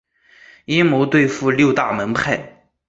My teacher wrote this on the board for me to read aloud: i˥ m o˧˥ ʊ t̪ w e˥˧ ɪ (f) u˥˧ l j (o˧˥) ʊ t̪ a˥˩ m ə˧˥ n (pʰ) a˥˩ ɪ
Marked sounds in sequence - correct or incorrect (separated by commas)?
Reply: correct, incorrect, correct